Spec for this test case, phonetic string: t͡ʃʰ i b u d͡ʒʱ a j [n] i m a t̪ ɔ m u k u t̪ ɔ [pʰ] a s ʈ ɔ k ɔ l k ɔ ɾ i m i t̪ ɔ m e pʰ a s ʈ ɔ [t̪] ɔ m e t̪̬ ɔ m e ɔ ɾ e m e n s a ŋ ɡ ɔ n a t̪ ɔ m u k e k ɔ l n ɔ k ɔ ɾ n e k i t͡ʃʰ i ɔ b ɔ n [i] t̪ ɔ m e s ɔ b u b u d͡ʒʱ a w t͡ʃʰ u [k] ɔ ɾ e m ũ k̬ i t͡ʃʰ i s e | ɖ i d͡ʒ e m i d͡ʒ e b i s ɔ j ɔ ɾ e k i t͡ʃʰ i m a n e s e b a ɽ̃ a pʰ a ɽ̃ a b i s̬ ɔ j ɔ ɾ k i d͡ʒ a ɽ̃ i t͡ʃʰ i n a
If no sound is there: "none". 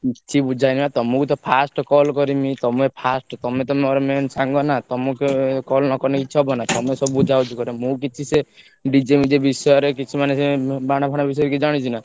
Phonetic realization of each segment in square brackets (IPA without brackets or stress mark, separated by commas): n, pʰ, t̪, a, k